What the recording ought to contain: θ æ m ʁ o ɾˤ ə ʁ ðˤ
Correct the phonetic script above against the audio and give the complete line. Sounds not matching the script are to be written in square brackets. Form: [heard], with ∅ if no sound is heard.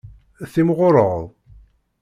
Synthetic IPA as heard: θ [i] m ʁ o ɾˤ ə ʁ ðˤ